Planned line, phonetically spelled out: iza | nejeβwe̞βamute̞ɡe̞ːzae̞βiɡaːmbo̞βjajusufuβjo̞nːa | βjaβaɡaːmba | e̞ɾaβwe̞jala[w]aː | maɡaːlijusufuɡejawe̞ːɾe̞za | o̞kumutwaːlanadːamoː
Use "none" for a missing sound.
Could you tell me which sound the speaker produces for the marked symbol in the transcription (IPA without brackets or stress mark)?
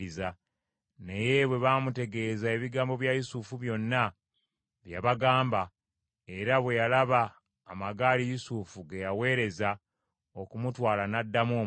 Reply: β